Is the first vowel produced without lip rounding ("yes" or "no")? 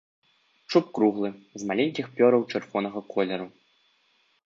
no